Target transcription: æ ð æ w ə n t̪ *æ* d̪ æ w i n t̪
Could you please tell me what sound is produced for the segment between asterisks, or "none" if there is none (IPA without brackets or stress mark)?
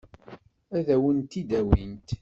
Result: i